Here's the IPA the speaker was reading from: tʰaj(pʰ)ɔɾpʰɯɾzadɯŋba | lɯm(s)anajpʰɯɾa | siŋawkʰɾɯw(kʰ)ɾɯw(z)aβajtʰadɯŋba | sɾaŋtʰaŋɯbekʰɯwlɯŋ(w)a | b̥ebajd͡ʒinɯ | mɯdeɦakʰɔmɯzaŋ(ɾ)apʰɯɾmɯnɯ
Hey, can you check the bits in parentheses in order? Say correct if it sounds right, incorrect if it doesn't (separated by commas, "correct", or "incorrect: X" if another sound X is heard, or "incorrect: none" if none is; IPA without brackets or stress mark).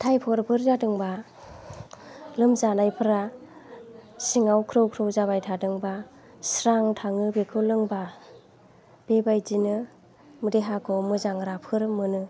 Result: correct, incorrect: z, correct, correct, incorrect: b, correct